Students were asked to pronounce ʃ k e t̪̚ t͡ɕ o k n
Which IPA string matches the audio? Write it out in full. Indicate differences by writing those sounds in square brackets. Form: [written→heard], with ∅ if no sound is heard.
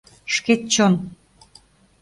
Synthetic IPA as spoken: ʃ k e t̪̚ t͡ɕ o [k→∅] n